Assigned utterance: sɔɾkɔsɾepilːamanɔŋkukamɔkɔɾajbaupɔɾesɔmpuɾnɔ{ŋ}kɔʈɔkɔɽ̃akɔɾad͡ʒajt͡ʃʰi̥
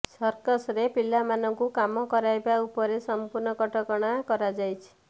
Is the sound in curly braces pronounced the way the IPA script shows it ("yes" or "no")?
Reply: no